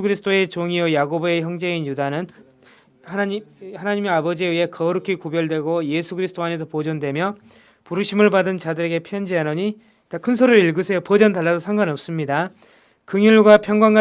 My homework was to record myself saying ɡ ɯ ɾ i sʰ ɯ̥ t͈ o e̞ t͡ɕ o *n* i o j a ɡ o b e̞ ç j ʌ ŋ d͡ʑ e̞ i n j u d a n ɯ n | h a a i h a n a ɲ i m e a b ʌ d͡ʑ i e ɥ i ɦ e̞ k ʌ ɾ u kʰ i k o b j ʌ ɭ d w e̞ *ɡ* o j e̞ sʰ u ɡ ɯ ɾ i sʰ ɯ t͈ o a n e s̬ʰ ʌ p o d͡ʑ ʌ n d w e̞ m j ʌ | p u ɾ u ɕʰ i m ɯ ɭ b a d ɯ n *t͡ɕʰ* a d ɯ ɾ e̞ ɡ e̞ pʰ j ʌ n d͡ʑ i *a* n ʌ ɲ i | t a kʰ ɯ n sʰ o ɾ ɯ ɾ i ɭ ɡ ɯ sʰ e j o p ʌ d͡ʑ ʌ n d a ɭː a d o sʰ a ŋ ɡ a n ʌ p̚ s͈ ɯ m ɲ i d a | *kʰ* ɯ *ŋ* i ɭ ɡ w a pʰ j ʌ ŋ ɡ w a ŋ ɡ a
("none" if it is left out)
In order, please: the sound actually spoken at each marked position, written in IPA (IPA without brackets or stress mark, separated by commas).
ŋ, ɡ, t͡ɕ, a, k, ŋ